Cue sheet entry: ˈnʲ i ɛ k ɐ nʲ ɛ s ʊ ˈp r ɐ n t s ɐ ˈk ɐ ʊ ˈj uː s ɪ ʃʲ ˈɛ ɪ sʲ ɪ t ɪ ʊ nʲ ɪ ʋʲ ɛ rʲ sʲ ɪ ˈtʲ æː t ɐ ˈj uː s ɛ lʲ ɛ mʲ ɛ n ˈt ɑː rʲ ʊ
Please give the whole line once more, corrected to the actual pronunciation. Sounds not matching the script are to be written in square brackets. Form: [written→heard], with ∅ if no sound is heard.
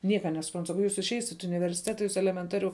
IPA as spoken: ˈnʲ i ɛ k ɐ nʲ ɛ s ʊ ˈp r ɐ n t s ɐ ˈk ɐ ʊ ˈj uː s ɪ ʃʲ ˈɛ ɪ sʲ ɪ t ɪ ʊ nʲ ɪ ʋʲ ɛ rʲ sʲ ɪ ˈtʲ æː t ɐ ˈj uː s ɛ lʲ ɛ mʲ ɛ n ˈt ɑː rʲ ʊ

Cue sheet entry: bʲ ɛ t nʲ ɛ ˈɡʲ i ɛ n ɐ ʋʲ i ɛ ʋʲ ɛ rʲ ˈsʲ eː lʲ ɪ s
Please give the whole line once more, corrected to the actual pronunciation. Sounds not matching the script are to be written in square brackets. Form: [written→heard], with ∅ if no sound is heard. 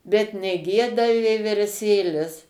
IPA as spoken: bʲ ɛ t nʲ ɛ ˈɡʲ i ɛ [n→d] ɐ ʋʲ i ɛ ʋʲ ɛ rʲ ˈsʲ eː lʲ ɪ s

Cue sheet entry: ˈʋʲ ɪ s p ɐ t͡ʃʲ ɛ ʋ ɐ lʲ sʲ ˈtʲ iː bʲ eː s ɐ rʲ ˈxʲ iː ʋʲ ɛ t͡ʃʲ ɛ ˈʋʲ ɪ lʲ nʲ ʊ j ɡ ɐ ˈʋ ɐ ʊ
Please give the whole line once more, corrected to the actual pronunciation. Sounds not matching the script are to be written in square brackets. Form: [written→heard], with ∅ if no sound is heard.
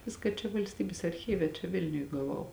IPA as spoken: ˈʋʲ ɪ s [p→k] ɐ t͡ʃʲ ɛ ʋ ɐ lʲ sʲ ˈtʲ iː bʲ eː s ɐ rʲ ˈxʲ iː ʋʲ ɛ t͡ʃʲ ɛ ˈʋʲ ɪ lʲ nʲ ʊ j ɡ ɐ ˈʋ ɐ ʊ

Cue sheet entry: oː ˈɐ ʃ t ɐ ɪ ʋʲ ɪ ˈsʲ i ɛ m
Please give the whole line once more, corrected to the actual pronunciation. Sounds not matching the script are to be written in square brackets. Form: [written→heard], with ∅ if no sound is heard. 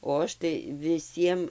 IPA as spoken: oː ˈɐ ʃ t ɐ ɪ ʋʲ ɪ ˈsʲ i ɛ m

